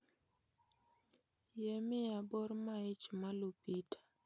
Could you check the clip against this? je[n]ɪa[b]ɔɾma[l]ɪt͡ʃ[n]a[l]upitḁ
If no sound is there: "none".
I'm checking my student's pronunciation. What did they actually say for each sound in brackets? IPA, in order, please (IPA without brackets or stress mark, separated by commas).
m, b, none, m, l